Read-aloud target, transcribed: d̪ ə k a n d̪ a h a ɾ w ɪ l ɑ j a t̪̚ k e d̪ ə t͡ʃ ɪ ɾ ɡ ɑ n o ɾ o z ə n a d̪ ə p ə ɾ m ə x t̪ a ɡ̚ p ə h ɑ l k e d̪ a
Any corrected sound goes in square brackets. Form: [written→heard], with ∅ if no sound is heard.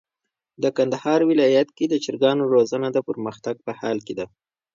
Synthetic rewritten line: d̪ ə k a n d̪ a h [a→ɑ] ɾ w ɪ l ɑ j a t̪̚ k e d̪ ə t͡ʃ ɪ ɾ ɡ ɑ n o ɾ o z ə n a d̪ ə p ə ɾ m ə x t̪ a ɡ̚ p ə h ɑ l k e d̪ a